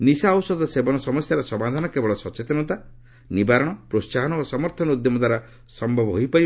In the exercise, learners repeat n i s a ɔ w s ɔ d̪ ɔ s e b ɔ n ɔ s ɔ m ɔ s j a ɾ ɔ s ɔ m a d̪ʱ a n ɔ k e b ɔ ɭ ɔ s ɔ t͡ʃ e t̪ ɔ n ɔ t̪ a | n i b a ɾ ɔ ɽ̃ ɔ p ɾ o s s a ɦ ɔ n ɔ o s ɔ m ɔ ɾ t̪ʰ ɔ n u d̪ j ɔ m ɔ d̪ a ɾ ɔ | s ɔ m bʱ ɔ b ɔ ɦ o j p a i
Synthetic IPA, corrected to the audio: n i s a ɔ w s ɔ d̪ ɔ s e b ɔ n ɔ s ɔ m ɔ s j a ɾ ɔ s ɔ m a d̪ʱ a n ɔ k e b ɔ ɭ ɔ s ɔ t͡ʃ e t̪ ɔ n ɔ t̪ a | n i b a ɾ ɔ ɽ̃ ɔ p ɾ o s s a ɦ ɔ n ɔ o s ɔ m ɔ ɾ t̪ʰ ɔ n u d̪ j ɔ m ɔ d̪ a ɾ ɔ | s ɔ m bʱ ɔ b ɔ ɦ o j p a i